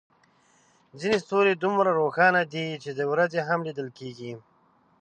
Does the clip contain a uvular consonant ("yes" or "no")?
no